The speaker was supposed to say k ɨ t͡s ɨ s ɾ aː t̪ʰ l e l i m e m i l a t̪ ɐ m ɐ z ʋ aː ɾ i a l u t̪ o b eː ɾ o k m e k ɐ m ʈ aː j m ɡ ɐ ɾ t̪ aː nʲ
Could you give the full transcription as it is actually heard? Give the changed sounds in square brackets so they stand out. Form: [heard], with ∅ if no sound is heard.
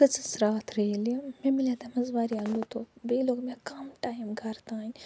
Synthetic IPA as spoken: k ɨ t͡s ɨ s ɾ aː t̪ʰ [ɾ] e l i m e m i l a t̪ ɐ m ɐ z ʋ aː ɾ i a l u t̪ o b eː [l] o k m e k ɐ m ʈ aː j m ɡ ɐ ɾ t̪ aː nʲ